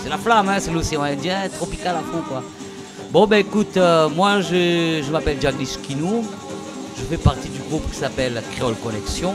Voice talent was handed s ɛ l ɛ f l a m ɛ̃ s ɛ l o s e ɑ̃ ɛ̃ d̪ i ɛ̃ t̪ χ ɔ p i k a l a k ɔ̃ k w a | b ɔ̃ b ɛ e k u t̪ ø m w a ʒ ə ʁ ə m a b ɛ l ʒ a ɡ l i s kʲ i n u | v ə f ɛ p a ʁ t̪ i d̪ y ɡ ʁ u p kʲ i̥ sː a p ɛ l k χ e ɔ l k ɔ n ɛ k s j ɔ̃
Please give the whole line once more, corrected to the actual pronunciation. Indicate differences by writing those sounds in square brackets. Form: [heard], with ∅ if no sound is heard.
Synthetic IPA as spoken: s ɛ l [a] f l a m ɛ̃ s ɛ l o s e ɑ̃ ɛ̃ d̪ [j] ɛ̃ t̪ χ ɔ p i k a l a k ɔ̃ k w a | b ɔ̃ b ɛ e k u t̪ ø m w a ʒ ə [ʒ] ə m a [p] ɛ l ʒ a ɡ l i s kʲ i n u | [ʒ] ə f ɛ p a ʁ t̪ i d̪ y ɡ ʁ u p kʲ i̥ [s] a p ɛ l k χ e ɔ l k ɔ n ɛ k s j ɔ̃